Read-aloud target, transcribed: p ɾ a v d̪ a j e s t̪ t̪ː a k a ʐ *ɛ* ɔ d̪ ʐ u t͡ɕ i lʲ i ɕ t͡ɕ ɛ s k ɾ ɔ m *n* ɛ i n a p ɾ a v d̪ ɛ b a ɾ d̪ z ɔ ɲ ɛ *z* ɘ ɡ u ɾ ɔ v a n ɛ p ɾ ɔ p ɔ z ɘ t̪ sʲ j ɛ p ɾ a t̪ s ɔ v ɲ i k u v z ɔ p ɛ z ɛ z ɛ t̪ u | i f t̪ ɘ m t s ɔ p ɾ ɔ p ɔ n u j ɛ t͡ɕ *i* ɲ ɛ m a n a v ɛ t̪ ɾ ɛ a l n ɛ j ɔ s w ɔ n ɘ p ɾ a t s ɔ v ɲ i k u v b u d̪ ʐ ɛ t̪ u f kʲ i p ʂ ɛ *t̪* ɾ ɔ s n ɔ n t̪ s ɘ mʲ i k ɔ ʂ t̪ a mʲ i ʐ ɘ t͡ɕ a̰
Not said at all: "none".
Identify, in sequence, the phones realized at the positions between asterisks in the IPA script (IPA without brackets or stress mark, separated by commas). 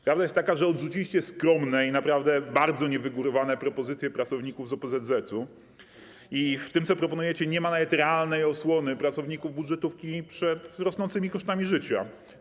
ɛ, n, v, ɛ, t̪